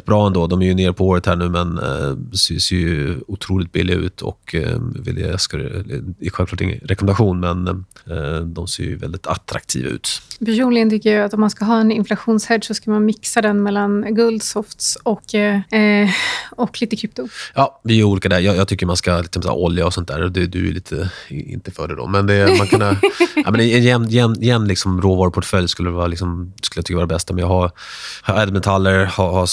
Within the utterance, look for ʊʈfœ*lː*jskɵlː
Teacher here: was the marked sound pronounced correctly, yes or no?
no